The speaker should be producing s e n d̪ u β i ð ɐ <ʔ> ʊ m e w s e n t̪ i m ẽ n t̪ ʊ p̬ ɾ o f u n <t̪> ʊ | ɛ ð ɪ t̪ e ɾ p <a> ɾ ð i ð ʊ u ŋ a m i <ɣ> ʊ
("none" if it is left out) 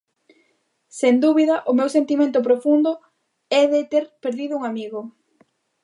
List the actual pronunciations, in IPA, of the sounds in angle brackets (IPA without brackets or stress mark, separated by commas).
ʔ, d̪, e, ɣ